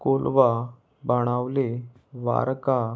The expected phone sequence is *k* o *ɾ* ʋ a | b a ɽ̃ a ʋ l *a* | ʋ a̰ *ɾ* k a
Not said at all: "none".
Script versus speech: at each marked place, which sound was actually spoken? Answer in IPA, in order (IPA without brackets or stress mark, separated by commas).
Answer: k, l, e, ɾ